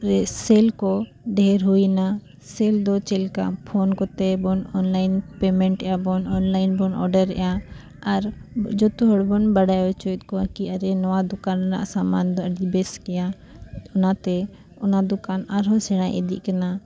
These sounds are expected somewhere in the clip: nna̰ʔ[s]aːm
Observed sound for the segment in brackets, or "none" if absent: s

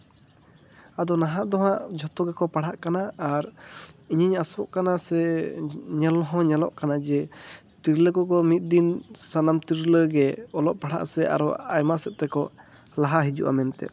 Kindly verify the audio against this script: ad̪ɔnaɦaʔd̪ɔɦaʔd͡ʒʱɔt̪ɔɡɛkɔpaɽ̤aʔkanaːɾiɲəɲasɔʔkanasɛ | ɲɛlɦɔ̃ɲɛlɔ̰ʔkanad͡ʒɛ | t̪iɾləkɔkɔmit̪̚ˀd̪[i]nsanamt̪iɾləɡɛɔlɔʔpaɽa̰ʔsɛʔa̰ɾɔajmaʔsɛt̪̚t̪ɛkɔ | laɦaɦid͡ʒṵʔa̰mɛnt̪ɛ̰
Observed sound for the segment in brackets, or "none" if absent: i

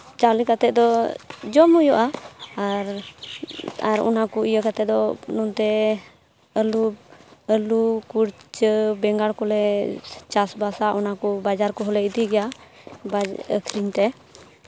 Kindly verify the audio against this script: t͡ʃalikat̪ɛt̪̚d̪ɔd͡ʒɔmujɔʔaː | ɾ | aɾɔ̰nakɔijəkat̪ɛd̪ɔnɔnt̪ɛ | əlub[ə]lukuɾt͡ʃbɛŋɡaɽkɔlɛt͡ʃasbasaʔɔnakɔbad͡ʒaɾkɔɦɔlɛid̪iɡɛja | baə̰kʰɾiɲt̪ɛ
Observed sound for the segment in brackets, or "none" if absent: ə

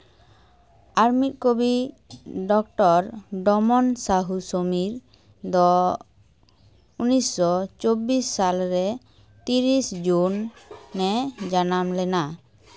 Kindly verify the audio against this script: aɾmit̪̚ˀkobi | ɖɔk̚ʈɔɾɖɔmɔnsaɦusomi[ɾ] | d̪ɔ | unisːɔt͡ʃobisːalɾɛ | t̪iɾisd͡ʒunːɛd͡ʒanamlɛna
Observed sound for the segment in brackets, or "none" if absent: ɾ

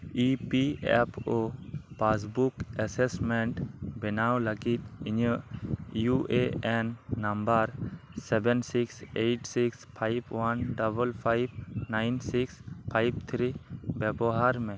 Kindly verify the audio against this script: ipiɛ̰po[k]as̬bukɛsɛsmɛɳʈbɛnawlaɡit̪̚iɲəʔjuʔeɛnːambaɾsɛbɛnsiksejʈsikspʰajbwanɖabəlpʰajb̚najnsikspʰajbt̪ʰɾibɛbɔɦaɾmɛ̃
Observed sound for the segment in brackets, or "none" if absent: p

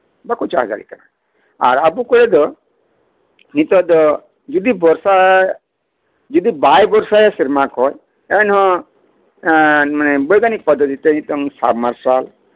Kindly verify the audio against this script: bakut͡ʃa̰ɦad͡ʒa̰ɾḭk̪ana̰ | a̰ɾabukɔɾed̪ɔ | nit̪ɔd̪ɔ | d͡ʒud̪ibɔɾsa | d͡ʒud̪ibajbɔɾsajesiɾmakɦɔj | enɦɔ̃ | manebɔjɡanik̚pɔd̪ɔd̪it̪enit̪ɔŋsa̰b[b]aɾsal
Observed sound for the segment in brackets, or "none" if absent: m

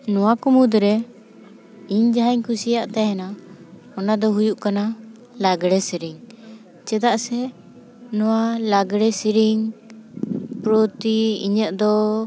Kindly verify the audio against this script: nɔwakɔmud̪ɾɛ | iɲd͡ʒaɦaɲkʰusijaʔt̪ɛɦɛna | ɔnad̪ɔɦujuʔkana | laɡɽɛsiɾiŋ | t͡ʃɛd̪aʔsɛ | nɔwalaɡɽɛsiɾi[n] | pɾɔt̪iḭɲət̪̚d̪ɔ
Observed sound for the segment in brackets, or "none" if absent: ŋ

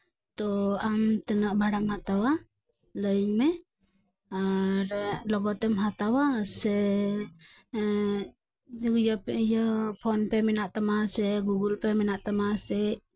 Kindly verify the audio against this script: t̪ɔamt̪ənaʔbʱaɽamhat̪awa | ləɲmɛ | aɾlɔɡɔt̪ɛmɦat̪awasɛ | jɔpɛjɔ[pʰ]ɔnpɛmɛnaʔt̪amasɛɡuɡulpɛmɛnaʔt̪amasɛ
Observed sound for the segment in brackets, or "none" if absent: pʰ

